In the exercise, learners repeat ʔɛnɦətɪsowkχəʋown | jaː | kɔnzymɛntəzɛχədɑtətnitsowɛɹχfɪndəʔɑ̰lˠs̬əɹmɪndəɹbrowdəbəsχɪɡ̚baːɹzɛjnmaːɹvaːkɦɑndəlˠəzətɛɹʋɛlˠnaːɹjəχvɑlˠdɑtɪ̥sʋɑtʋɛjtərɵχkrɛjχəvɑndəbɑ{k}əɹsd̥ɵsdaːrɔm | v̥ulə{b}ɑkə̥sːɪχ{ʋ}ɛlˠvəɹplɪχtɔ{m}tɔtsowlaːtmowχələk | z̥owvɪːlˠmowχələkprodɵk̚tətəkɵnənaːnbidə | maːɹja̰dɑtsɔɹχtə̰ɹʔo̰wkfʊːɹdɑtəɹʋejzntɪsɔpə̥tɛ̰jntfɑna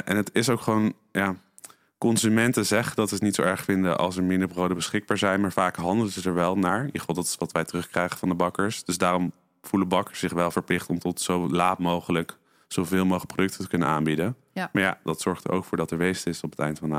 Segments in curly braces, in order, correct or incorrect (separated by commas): correct, correct, correct, correct